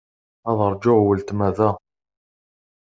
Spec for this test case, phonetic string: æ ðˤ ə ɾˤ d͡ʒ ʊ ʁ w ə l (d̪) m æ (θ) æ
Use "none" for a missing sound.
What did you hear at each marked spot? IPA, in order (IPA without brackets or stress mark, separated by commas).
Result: t̪, ð